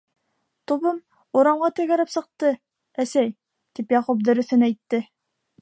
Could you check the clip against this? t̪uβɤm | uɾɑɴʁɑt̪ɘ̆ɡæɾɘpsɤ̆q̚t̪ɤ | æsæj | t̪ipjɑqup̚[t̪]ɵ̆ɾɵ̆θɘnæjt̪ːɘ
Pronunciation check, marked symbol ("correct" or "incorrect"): incorrect